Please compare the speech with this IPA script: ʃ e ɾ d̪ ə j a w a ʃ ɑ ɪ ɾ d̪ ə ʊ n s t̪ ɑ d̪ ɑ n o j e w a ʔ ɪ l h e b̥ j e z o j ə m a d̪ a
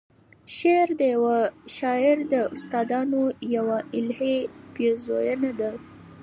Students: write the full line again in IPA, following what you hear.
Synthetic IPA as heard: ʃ e ɾ d̪ ə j a w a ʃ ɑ ɪ ɾ d̪ ə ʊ s t̪ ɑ d̪ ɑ n o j a w a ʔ ɪ l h e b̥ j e z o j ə n a d̪ a